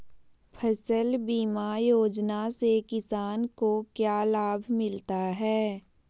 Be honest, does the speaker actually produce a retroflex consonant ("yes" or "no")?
no